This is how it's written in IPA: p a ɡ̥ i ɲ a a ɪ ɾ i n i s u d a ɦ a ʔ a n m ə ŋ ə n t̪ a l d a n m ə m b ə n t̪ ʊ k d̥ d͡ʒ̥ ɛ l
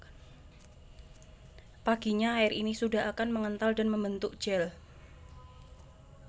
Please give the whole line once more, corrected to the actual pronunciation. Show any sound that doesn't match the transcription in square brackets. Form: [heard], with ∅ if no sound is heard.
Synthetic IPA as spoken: p a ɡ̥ i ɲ a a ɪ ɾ i n i s u d a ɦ a [k] a n m ə ŋ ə n t̪ a l d a n m ə m b ə n t̪ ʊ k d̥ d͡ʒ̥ ɛ l